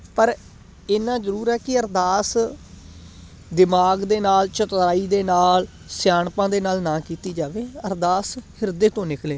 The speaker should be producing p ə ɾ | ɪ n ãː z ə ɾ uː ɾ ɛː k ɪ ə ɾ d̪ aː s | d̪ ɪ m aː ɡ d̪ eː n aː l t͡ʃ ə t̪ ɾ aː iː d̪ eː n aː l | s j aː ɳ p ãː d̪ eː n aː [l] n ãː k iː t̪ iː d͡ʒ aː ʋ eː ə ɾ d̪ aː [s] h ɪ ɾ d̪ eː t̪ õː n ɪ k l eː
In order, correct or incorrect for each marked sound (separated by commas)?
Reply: correct, correct